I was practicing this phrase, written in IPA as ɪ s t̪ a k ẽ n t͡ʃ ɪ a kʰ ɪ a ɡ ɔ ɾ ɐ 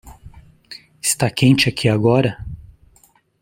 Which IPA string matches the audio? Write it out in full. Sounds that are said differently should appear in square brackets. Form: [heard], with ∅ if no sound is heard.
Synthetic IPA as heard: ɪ s t̪ a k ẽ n t͡ʃ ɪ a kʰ [i] a ɡ ɔ ɾ ɐ